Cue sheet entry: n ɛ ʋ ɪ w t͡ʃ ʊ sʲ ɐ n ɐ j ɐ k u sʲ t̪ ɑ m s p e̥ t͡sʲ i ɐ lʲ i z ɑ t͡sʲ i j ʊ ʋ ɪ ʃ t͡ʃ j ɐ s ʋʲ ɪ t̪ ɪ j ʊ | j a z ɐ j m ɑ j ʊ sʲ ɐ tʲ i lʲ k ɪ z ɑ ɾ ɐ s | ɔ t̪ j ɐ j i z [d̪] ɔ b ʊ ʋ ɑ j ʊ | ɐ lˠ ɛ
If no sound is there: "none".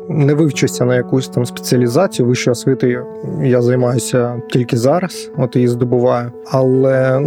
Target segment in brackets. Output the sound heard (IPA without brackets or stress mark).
d̪